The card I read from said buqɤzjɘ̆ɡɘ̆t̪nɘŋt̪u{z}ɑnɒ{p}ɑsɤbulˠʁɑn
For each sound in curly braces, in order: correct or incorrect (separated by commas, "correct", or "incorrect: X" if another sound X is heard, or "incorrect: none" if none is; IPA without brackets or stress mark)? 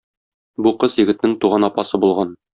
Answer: incorrect: ʁ, correct